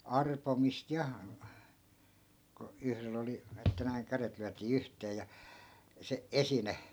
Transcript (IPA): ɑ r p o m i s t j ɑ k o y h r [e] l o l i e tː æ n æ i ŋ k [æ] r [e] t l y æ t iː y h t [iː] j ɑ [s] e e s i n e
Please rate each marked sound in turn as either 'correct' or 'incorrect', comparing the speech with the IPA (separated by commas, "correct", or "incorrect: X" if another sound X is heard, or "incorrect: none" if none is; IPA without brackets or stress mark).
correct, correct, correct, incorrect: eː, correct